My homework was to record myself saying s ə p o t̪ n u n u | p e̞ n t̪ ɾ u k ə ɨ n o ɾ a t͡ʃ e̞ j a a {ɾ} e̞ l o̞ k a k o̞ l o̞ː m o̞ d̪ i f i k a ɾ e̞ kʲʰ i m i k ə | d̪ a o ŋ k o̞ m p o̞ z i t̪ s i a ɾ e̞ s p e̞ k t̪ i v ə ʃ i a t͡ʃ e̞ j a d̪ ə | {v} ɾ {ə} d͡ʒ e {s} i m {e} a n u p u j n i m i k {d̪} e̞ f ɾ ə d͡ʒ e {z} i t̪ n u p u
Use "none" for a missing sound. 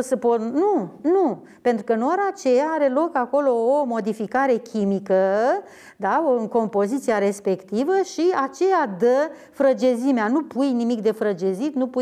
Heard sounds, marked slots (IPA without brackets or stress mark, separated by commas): ɾ, f, ə, z, e, d̪, z